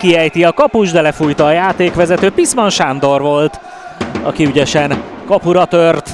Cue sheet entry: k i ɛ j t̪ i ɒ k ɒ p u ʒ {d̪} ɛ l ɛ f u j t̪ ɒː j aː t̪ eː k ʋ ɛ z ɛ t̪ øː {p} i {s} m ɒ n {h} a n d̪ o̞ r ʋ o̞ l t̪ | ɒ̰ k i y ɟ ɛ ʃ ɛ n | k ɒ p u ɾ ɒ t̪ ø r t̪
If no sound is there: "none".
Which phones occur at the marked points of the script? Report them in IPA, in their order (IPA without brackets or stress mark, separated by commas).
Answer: d̪, p, s, ʃ